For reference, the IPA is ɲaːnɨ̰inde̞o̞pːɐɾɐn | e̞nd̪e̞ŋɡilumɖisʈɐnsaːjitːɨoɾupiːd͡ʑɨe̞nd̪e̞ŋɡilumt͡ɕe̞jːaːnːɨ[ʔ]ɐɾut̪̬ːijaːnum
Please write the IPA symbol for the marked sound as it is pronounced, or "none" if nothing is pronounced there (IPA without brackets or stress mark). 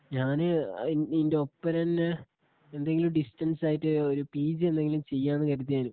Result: k